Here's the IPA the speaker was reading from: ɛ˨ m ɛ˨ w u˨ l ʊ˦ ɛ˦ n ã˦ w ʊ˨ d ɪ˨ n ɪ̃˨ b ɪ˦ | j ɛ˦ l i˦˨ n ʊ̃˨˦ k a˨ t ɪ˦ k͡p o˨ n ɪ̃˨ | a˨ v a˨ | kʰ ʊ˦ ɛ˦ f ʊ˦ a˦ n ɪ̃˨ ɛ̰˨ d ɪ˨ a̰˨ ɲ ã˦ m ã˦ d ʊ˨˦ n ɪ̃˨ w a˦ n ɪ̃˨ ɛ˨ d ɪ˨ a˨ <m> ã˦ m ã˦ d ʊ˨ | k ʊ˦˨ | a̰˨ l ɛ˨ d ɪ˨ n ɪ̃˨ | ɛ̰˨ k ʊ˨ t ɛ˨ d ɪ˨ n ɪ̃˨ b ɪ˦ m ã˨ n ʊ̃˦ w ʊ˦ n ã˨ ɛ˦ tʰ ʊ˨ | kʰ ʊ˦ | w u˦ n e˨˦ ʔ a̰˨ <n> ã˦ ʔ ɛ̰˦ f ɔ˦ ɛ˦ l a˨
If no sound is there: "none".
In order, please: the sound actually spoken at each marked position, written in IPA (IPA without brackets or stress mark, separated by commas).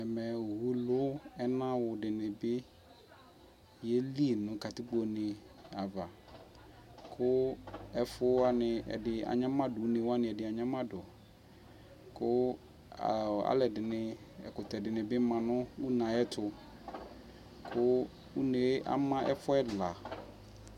ɲ, m